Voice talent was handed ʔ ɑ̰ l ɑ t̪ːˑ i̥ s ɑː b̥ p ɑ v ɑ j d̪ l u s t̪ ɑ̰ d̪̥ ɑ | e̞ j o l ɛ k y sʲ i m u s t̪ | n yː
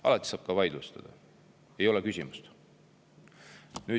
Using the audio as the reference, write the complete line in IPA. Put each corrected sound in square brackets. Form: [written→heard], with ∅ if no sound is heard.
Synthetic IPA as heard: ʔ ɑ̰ l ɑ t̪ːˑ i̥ s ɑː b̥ [p→k] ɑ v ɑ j d̪ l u s t̪ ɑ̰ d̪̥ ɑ | e̞ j o l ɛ k y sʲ i m u s t̪ | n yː